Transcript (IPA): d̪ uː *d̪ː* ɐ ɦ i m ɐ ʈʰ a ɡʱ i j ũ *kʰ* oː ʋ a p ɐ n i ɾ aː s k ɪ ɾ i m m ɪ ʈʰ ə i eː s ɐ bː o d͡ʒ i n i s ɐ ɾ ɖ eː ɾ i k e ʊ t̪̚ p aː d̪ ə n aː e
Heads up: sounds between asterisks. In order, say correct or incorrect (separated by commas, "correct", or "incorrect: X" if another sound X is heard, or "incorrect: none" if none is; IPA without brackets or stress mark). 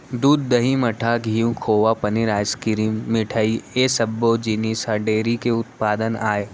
correct, correct